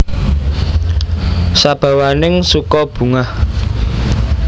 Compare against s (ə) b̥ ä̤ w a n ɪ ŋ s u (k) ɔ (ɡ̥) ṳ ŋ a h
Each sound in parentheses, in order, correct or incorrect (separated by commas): incorrect, correct, incorrect